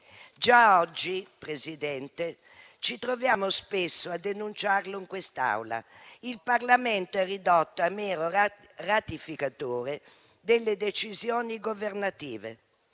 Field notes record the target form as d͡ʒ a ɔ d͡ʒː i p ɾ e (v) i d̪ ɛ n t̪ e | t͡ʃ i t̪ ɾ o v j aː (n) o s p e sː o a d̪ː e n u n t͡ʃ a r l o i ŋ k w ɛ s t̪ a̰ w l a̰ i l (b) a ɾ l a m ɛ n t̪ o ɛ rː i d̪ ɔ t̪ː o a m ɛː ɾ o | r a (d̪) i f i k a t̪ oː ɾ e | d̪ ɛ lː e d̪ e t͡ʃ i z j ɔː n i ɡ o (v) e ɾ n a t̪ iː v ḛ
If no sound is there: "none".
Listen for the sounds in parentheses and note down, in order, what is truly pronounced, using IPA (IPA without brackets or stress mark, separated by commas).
z, m, p, t̪, v